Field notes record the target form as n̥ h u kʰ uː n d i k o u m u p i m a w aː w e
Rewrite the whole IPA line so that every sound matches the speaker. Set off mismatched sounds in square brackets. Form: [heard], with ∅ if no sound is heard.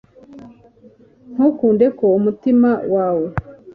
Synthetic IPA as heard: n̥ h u [k] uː n d [e] k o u m u [t] i m a w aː w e